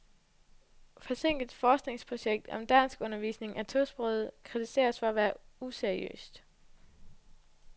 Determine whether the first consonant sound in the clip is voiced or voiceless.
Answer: voiceless